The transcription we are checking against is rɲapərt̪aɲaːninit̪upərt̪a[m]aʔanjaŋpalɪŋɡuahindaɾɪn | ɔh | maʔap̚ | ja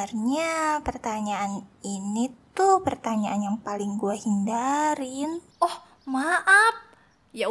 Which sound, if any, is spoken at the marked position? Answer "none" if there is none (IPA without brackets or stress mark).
ɲ